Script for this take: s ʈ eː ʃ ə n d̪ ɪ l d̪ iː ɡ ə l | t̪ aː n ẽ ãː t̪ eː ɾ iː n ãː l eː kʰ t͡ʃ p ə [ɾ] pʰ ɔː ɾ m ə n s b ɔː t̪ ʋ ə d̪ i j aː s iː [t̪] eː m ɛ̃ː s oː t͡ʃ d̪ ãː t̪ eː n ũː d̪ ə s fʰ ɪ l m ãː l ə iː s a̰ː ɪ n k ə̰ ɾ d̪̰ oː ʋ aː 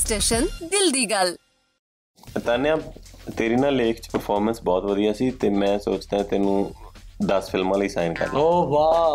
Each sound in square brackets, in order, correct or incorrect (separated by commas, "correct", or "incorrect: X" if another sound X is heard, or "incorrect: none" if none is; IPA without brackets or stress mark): correct, correct